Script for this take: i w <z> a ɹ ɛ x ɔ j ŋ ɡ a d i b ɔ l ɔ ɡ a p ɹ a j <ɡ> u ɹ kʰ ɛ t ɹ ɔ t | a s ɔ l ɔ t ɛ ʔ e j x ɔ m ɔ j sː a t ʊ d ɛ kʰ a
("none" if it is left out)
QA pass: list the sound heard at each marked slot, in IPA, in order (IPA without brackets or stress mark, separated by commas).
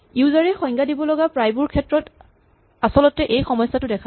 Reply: z, b